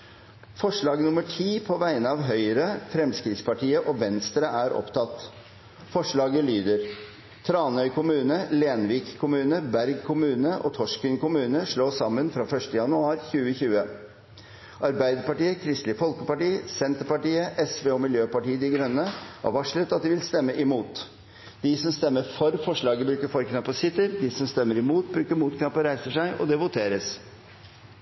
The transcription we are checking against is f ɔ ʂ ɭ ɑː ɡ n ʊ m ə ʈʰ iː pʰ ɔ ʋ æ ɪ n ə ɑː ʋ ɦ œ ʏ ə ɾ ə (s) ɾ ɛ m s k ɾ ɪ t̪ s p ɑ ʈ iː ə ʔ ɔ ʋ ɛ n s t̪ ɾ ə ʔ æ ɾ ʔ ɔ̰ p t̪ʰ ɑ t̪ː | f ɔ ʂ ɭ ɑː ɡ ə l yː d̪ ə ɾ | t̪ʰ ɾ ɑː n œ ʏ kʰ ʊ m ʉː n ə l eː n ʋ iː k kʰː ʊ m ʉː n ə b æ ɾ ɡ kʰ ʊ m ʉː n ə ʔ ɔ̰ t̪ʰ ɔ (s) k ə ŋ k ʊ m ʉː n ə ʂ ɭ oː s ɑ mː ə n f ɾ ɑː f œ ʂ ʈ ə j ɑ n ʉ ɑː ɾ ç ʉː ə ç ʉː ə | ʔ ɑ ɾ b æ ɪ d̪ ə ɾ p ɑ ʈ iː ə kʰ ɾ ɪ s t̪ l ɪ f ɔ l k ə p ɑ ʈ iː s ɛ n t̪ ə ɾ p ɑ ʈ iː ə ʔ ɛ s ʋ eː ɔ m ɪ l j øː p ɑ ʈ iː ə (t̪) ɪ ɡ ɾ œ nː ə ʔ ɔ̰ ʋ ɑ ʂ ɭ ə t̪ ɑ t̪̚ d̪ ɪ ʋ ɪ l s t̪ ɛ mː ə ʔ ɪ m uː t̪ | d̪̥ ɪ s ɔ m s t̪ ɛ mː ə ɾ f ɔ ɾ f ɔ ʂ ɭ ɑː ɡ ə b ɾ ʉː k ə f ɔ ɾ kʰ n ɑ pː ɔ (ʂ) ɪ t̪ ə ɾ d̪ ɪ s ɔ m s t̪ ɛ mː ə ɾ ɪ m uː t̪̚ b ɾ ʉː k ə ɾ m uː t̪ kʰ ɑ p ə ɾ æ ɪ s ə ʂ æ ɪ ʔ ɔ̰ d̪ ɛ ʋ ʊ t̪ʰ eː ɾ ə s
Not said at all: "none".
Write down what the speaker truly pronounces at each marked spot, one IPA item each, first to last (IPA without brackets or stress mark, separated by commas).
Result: f, ʂ, d̪, s